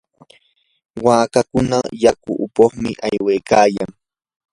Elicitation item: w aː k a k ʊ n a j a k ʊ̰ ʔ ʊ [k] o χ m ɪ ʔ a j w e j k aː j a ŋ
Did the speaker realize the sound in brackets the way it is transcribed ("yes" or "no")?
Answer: no